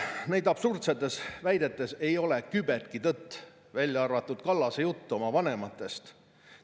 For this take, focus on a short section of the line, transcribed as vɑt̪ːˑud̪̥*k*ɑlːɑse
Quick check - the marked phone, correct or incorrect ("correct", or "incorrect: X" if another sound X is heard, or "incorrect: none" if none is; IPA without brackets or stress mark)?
correct